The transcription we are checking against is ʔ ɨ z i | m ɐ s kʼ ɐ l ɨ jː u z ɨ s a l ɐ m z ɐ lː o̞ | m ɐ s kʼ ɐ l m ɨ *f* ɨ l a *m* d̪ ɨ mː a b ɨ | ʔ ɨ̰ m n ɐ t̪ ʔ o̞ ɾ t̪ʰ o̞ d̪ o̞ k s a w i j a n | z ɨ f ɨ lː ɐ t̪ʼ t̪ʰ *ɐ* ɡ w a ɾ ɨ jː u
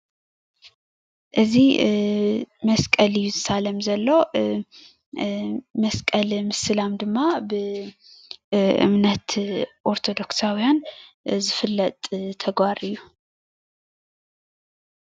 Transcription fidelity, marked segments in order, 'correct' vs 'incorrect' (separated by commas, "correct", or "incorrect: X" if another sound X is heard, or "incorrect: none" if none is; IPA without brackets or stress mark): incorrect: s, correct, correct